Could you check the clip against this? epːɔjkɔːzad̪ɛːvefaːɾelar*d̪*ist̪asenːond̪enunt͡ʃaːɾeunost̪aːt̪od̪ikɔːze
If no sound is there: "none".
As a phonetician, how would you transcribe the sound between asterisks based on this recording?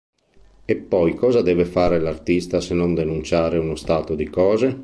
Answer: t̪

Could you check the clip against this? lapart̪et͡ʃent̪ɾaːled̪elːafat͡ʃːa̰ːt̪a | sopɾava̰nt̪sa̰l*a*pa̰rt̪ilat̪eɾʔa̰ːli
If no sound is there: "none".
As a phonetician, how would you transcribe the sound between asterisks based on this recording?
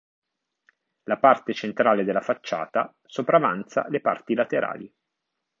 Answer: e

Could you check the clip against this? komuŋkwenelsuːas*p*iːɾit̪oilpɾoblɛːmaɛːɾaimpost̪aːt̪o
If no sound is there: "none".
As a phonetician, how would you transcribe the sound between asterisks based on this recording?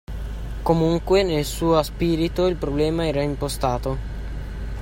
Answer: p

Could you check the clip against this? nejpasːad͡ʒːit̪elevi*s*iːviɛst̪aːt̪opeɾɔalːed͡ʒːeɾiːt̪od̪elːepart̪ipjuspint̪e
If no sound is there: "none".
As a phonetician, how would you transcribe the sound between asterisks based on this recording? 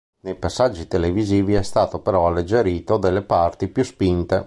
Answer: z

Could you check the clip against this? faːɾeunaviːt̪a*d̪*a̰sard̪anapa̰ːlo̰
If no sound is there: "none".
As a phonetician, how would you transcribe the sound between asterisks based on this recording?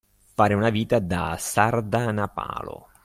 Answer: d̪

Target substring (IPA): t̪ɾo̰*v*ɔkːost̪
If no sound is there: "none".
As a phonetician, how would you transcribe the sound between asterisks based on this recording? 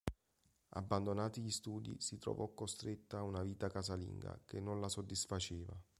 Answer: v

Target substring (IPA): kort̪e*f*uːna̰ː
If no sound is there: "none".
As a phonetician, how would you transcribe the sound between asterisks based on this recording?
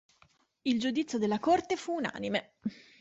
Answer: f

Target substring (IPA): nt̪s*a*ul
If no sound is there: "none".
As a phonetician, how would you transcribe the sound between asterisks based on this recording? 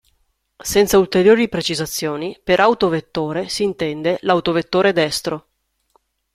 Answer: a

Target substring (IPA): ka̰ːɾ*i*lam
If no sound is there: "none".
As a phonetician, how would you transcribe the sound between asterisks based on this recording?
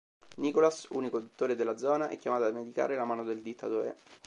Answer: e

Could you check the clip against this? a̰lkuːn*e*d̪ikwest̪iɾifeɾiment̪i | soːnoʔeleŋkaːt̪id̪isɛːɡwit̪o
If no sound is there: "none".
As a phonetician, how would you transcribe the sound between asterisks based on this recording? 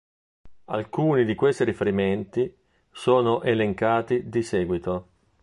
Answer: i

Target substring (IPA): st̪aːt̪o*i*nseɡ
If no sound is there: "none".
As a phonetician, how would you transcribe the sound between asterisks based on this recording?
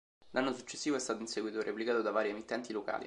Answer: i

